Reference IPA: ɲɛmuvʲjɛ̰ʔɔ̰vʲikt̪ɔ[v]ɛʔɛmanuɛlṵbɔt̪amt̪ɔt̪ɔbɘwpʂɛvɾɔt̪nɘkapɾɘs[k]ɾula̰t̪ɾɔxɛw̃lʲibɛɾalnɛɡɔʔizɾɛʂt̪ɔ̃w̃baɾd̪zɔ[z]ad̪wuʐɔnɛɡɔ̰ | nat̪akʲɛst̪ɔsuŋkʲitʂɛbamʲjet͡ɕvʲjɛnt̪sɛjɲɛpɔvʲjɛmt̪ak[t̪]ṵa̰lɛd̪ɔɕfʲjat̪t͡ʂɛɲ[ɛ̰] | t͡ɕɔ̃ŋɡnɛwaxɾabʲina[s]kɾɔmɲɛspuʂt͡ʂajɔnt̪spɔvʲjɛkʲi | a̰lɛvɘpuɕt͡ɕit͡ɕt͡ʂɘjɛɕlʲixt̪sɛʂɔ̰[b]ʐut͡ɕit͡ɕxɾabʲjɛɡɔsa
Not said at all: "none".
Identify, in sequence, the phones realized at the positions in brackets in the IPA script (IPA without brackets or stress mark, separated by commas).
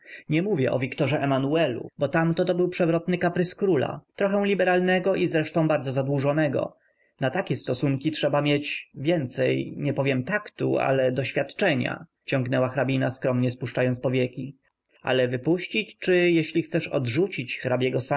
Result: ʐ, k, z, t̪, a̰, s, d